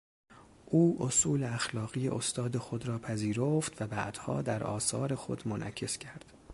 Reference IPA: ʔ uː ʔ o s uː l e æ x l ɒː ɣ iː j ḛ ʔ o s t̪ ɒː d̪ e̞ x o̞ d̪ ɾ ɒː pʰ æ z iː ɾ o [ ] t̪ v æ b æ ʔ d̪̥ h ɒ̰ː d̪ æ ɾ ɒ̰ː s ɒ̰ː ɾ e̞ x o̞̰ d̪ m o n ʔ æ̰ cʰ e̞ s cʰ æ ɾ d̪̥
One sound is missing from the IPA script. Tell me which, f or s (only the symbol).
f